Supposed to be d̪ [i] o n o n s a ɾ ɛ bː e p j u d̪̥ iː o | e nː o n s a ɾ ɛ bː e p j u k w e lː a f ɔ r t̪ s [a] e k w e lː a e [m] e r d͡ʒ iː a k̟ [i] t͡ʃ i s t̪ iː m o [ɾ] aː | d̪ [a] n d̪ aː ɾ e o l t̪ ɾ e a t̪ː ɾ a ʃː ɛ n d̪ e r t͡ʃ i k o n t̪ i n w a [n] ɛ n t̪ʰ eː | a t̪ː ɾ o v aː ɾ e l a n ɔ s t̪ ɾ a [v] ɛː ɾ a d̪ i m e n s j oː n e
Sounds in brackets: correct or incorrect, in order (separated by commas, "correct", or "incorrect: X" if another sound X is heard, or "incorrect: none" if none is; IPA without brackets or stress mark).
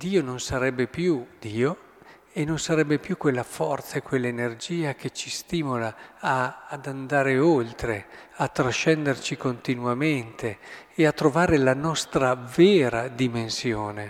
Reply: incorrect: iː, correct, incorrect: n, incorrect: e, incorrect: l, correct, incorrect: m, correct